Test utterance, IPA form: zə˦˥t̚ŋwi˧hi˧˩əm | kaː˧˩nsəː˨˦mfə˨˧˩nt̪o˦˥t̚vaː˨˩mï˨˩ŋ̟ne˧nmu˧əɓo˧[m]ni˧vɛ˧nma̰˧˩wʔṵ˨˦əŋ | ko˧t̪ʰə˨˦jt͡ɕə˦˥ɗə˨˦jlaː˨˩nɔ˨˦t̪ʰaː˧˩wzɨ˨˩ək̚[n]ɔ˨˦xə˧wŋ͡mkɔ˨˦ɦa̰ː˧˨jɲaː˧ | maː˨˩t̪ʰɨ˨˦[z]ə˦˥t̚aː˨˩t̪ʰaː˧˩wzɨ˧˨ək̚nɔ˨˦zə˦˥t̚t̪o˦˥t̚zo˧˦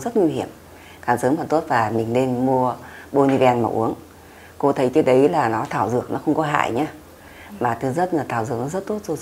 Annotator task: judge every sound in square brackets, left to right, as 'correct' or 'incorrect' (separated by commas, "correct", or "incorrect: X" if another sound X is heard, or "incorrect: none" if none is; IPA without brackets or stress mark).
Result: incorrect: none, correct, correct